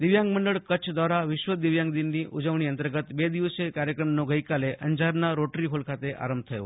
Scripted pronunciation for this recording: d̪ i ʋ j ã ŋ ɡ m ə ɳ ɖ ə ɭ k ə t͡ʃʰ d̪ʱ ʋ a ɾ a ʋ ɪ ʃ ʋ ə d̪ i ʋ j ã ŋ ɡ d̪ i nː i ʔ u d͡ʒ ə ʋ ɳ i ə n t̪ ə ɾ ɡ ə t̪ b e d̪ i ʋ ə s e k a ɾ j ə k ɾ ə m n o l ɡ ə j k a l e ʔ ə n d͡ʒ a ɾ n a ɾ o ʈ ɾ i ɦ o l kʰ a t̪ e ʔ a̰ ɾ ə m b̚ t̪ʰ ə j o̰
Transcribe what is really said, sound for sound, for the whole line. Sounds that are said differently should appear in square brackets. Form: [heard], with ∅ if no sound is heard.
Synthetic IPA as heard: d̪ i ʋ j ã ŋ ɡ m ə ɳ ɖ ə ɭ k ə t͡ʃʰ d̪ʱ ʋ a ɾ a ʋ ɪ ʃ ʋ ə d̪ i ʋ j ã ŋ ɡ d̪ i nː i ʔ u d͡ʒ ə ʋ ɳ i ə n t̪ ə ɾ ɡ ə t̪ b e d̪ i ʋ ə s e k a ɾ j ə k ɾ ə m n o [∅] ɡ ə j k a l e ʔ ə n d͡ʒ a ɾ n a ɾ o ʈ ɾ i ɦ o l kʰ a t̪ e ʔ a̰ ɾ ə m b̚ t̪ʰ ə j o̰